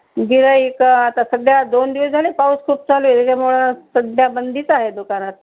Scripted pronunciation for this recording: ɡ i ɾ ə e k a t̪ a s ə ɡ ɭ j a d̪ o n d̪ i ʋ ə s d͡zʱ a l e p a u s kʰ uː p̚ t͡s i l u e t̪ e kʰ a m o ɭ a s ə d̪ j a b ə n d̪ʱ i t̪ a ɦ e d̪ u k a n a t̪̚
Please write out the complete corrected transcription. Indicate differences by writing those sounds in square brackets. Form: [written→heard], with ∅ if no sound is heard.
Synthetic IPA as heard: ɡ i ɾ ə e k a t̪ a s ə ɡ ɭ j a d̪ o n d̪ i ʋ ə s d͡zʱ a l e p a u s kʰ uː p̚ t͡s [i→a] l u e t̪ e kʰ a m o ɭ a s ə d̪ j a b ə n d̪ʱ i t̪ a ɦ e d̪ u k a n a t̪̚